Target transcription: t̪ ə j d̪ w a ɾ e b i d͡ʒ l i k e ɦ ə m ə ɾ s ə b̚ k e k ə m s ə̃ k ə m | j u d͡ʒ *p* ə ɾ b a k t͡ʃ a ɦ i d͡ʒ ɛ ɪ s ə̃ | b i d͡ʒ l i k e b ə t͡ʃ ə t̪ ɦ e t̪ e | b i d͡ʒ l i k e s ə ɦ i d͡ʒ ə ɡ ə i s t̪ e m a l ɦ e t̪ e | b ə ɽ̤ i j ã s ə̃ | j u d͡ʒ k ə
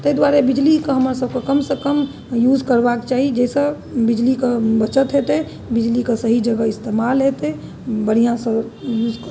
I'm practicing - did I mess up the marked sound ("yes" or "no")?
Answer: yes